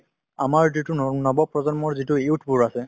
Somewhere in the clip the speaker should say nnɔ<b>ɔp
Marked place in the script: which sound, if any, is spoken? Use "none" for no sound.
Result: b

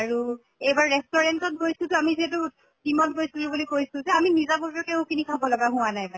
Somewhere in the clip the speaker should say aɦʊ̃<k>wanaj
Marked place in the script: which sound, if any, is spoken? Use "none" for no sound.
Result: none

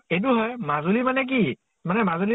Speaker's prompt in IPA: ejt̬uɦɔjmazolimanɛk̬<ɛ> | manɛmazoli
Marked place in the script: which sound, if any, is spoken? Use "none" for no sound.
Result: i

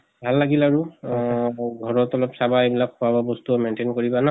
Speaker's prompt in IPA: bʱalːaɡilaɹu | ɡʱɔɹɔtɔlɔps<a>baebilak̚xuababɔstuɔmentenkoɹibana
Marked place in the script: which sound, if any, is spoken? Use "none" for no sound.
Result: a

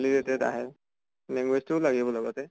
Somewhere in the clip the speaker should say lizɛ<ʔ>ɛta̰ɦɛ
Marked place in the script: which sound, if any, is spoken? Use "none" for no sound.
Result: t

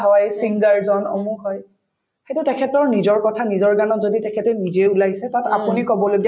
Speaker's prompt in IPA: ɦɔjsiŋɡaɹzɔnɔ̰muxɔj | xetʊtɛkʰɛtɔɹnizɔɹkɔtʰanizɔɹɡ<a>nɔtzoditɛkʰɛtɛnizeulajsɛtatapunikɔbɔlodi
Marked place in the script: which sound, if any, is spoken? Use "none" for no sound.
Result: a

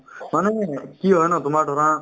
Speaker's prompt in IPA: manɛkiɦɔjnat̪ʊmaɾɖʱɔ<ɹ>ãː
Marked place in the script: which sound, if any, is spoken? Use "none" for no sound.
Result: ɾ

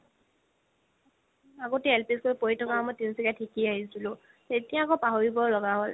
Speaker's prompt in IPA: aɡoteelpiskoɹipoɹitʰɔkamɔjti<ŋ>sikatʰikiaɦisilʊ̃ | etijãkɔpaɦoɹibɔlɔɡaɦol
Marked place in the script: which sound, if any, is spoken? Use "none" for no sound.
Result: n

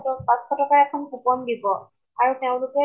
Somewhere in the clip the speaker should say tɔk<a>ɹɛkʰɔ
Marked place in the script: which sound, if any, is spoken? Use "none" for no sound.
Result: a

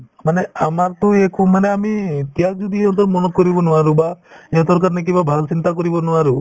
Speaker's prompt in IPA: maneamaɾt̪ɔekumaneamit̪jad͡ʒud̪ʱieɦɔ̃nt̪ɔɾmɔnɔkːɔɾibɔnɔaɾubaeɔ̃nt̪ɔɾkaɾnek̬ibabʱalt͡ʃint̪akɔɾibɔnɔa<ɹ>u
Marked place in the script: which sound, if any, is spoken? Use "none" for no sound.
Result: ɾ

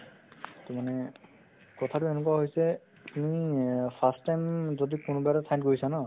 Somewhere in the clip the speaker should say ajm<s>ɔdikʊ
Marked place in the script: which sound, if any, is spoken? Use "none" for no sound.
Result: z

